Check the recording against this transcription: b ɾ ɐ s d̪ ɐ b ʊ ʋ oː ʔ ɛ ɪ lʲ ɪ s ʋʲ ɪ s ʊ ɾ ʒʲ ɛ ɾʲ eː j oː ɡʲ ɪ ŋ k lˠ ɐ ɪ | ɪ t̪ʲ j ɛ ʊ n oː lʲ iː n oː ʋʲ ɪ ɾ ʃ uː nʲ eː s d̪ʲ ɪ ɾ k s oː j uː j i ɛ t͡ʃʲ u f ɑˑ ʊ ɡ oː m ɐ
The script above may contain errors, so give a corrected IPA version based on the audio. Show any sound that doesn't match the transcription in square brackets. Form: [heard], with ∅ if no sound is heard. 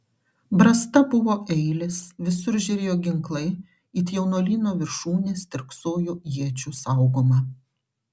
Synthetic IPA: b ɾ ɐ s [t̪] ɐ b ʊ ʋ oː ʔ ɛ ɪ lʲ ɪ s ʋʲ ɪ s ʊ ɾ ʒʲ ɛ ɾʲ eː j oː ɡʲ ɪ ŋ k lˠ ɐ ɪ | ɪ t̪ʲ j ɛ ʊ n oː lʲ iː n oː ʋʲ ɪ ɾ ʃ uː nʲ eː s [t̪ʲ] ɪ ɾ k s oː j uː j i ɛ t͡ʃʲ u [s] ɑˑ ʊ ɡ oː m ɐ